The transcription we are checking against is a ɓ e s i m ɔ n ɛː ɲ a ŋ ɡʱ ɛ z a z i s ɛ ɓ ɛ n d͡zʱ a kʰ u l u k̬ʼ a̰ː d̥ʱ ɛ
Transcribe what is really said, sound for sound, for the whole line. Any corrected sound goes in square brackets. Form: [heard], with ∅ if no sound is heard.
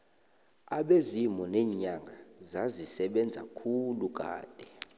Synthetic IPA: a ɓ e [z] i m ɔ n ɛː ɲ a ŋ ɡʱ [a] z a z i s ɛ ɓ ɛ n d͡zʱ a kʰ u l u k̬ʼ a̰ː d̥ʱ ɛ